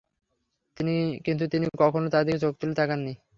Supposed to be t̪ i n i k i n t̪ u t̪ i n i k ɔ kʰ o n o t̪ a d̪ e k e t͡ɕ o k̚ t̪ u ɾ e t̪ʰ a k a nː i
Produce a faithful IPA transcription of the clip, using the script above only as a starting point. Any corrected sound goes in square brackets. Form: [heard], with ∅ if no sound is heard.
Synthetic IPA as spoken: t̪ i n i k i n t̪ u t̪ i n i k ɔ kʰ o n o t̪ a d̪ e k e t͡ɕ o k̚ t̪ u [l] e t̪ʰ a k a nː i